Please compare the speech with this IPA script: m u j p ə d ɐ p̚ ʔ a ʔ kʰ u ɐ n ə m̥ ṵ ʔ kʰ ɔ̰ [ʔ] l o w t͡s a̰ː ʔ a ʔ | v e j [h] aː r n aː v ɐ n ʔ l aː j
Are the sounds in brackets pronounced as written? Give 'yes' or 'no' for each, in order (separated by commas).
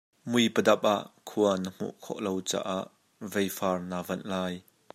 yes, no